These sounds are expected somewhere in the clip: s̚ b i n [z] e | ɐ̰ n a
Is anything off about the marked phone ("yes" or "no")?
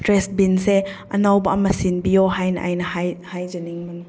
yes